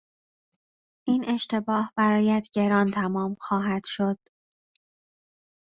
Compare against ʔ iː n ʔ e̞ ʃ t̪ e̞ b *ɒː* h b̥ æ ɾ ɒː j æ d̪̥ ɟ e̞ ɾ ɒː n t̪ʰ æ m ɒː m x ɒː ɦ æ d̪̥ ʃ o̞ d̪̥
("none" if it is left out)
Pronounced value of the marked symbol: ɒː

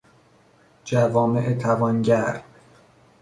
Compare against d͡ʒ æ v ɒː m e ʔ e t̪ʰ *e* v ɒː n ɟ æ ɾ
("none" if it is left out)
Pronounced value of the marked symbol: æ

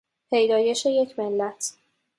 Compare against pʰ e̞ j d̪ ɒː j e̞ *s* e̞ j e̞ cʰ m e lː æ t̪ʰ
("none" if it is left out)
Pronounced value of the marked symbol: ʃ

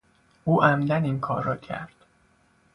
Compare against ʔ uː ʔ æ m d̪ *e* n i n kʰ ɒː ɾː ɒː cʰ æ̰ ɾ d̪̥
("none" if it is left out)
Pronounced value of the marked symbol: æ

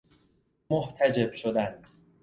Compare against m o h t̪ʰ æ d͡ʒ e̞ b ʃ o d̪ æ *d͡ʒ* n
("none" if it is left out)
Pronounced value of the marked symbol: none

